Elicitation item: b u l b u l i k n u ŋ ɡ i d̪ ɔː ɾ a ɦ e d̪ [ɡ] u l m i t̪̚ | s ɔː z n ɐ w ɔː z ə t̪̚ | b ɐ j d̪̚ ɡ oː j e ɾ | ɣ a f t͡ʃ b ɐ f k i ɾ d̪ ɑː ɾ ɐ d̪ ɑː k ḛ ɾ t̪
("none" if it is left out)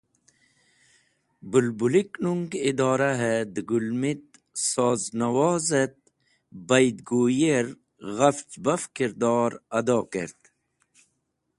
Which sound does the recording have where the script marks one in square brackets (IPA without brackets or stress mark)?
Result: ɡ